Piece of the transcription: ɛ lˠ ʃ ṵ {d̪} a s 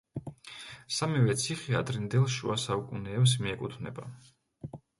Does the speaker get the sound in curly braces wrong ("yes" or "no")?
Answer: yes